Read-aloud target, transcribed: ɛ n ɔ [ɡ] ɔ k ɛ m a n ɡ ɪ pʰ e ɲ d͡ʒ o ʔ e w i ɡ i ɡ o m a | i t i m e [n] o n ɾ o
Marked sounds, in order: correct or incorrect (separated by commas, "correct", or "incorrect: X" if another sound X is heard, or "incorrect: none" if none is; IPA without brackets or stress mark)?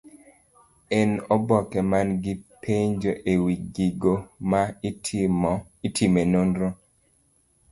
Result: incorrect: b, correct